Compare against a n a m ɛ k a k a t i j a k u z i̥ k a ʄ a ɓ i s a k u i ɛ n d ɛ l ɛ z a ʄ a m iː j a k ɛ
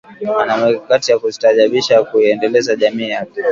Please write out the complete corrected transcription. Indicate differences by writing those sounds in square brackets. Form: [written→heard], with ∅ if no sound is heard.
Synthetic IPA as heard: a n a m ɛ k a k a t i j a k u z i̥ [k→t] a ʄ a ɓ i [s→ʃ] a k u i ɛ n d ɛ l ɛ z a ʄ a m iː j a k ɛ